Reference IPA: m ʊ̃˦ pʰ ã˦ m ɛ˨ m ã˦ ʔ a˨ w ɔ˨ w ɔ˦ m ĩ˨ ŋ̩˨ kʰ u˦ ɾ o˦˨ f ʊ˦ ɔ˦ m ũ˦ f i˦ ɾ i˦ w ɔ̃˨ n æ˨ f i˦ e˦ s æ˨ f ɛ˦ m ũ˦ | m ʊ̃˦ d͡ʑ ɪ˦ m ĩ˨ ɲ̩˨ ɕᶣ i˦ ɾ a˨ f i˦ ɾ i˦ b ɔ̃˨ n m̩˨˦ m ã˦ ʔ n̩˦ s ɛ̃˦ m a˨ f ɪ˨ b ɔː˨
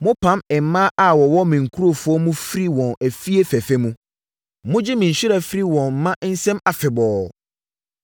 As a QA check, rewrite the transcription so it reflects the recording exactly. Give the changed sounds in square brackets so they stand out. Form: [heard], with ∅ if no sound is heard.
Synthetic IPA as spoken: m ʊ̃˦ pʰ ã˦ m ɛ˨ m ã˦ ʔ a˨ w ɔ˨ w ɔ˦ m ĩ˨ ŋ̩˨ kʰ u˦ ɾ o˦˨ f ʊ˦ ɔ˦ m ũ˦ f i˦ ɾ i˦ w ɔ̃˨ n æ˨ f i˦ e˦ [f] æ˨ f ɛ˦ m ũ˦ | m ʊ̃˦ d͡ʑ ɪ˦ m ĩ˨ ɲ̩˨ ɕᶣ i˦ ɾ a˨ f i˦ ɾ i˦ [w] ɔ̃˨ n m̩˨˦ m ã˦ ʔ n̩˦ s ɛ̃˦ m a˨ f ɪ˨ b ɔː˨